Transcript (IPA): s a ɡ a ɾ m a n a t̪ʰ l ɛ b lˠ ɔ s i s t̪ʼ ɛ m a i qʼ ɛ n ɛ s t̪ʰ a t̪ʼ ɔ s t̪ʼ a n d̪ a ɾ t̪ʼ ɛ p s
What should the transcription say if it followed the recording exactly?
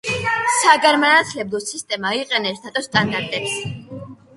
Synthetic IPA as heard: s a ɡ a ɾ m a n a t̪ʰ l ɛ b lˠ ɔ s i s t̪ʼ ɛ m a i qʼ ɛ n ɛ s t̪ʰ a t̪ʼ ɔ s t̪ʼ a n d̪ a ɾ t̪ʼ ɛ p s